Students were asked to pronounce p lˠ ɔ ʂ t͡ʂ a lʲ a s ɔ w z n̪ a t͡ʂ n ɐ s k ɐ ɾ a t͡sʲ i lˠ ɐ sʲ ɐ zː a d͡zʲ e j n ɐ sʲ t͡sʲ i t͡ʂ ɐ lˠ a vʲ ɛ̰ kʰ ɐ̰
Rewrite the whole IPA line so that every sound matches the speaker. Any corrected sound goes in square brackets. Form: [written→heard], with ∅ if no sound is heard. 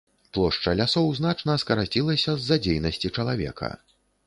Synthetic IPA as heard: p lˠ ɔ ʂ t͡ʂ [a→ɐ] lʲ a s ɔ w z n̪ a t͡ʂ n ɐ s k ɐ ɾ a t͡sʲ i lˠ ɐ sʲ ɐ zː a d͡zʲ e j n ɐ sʲ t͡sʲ i t͡ʂ ɐ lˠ a vʲ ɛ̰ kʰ ɐ̰